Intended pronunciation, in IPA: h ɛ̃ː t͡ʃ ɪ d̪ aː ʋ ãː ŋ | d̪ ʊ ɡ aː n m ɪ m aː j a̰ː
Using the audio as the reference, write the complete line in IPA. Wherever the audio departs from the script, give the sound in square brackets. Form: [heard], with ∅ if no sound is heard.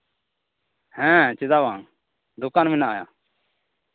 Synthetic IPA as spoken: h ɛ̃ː t͡ʃ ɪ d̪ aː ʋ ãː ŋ | d̪ ʊ [k] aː n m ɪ [n] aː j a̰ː